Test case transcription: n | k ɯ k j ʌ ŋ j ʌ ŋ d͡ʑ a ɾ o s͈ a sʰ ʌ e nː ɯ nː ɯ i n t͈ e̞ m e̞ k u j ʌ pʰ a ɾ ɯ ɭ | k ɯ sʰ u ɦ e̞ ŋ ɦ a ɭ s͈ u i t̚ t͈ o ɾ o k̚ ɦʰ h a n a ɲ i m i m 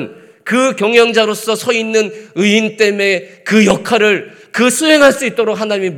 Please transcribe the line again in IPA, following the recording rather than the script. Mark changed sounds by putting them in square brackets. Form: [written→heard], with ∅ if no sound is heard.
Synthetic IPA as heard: n | k ɯ k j ʌ ŋ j ʌ ŋ d͡ʑ a ɾ o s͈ [a→ʌ] sʰ ʌ [e→i] nː ɯ [nː→n] ɯ i n t͈ e̞ m e̞ k [u→ɯ] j ʌ [pʰ→kʰ] a ɾ ɯ ɭ | k ɯ sʰ u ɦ e̞ ŋ ɦ a ɭ s͈ u i t̚ t͈ o ɾ o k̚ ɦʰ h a n a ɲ i m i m